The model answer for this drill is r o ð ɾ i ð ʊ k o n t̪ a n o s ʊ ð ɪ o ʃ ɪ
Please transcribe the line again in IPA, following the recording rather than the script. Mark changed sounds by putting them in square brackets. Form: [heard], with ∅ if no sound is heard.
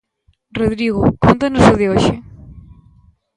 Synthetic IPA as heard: r o ð ɾ i [ɣ] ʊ k o n t̪ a n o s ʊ ð ɪ o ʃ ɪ